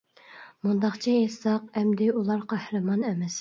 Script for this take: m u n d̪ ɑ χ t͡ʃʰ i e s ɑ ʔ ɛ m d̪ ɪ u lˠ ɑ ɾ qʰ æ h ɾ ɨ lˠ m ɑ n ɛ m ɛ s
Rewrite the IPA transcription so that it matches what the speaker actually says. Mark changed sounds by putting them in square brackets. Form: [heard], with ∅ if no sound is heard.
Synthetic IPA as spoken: m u n d̪ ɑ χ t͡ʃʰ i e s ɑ [q] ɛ m d̪ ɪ u lˠ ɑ ɾ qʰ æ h ɾ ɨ [∅] m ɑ n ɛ m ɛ s